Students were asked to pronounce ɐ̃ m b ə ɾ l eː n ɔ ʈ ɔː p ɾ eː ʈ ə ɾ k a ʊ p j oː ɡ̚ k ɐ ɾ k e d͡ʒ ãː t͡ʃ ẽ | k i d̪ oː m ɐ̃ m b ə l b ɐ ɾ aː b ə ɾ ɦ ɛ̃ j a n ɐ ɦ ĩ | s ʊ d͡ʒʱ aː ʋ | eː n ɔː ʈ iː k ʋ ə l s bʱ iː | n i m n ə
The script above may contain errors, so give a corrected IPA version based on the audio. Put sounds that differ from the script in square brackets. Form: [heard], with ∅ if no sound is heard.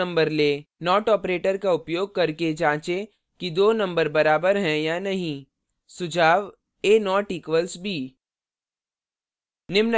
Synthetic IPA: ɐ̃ m b ə ɾ l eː n [ɔː] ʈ ɔː p ɾ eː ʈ ə ɾ k a ʊ p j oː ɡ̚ k ɐ ɾ k e d͡ʒ ãː t͡ʃ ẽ | k i d̪ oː [n] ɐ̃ m b ə [ɾ] b ɐ ɾ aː b ə ɾ ɦ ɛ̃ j a n ɐ ɦ ĩ | s ʊ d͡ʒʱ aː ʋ | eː n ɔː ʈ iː k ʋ ə l s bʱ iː | n [ɪ] m n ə